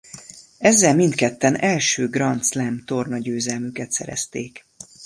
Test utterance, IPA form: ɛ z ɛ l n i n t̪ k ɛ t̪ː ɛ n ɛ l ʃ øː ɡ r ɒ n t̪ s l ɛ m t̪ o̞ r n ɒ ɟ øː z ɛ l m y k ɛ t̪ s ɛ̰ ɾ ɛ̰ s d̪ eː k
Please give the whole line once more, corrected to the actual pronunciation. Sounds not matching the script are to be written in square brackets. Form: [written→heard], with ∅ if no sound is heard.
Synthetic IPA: ɛ [z→zː] ɛ l [n→m] i n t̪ k ɛ t̪ː ɛ n ɛ l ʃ øː ɡ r ɒ n t̪ s l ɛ m t̪ o̞ r n ɒ ɟ øː z ɛ l m y k ɛ t̪ s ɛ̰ ɾ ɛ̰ s [d̪→t̪] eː k